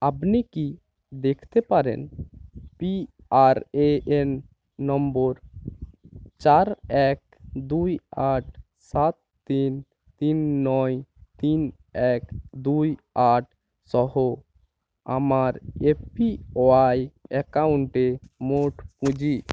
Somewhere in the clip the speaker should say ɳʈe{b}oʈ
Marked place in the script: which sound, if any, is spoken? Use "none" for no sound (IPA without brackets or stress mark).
m